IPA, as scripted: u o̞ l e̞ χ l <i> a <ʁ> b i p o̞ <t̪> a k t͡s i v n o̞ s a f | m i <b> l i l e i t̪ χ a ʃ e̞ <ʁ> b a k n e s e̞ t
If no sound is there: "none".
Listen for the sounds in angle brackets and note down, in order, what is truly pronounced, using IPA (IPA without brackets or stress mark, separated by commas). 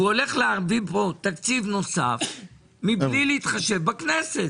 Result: e, ʁ, t̪, b, v